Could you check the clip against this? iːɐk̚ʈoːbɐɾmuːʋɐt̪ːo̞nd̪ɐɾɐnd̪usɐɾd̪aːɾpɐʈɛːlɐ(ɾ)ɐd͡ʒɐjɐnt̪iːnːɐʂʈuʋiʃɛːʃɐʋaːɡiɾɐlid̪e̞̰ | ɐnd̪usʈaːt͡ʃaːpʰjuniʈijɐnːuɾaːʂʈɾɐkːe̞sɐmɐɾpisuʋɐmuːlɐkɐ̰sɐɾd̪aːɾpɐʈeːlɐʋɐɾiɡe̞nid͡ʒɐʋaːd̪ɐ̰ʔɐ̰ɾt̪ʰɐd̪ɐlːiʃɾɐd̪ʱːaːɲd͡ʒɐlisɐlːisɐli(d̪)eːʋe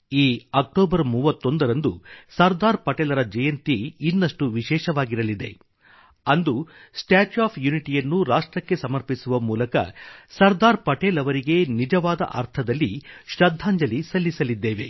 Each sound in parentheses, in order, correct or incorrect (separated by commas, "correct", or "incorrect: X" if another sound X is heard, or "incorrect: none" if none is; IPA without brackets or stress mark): correct, incorrect: d̪ː